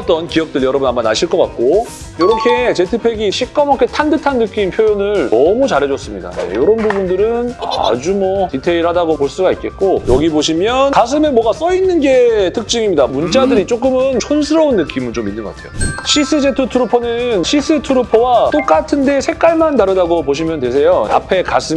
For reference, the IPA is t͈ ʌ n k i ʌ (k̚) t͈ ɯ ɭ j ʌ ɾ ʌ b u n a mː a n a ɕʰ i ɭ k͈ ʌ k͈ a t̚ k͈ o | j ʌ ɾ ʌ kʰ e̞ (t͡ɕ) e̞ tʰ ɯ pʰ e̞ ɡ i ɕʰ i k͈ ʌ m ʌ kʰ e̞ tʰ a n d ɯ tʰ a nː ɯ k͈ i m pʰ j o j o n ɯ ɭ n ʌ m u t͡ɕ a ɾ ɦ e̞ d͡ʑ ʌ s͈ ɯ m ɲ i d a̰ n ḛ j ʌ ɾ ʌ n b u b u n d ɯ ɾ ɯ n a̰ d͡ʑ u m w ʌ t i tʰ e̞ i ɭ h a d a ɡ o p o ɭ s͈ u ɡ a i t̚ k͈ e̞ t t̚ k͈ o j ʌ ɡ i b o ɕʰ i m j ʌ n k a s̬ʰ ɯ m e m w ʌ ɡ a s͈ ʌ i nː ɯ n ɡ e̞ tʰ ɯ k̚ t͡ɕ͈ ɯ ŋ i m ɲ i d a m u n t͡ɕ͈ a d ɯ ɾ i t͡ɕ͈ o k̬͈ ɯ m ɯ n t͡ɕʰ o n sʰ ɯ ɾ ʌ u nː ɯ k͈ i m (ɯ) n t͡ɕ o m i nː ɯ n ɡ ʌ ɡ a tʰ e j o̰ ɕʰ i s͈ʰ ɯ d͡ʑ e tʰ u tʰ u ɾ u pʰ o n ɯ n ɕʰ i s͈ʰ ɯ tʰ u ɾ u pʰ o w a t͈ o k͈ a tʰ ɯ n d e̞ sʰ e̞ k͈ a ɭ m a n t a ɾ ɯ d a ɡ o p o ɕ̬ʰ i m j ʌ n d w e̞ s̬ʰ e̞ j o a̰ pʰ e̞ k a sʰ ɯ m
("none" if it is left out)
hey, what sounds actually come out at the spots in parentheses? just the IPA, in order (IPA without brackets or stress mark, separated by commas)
k̚, t͡ɕ, ɯ